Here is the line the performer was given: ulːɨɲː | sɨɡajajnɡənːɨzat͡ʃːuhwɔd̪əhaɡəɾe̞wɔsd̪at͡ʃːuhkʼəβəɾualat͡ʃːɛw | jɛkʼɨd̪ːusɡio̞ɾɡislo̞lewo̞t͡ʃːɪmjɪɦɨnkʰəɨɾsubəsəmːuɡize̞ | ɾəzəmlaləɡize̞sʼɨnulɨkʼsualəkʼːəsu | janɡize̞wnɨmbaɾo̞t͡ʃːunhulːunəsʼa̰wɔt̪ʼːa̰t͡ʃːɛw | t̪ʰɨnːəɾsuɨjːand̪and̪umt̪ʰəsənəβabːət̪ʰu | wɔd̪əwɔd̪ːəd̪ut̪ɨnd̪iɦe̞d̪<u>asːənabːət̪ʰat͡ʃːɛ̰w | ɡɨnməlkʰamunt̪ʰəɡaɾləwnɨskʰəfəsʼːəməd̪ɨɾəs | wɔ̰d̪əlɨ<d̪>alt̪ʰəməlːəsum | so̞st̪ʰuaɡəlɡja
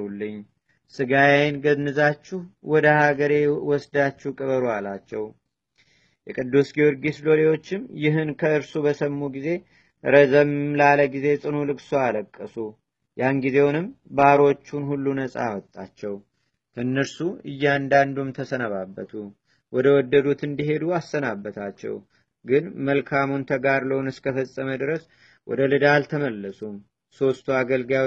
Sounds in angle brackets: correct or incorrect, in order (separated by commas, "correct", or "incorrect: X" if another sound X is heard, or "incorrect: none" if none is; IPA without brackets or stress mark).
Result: correct, correct